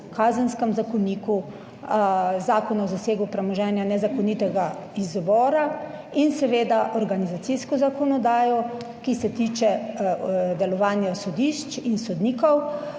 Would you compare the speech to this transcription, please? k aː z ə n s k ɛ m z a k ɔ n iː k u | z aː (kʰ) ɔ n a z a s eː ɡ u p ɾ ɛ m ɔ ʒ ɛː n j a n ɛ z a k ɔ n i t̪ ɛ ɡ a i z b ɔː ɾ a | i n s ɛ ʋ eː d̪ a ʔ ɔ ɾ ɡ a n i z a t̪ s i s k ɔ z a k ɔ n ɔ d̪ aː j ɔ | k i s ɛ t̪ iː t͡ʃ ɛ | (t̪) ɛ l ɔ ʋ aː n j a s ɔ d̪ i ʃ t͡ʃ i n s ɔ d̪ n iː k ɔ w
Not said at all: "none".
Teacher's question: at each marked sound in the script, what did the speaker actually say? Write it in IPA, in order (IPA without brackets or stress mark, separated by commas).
k, d̪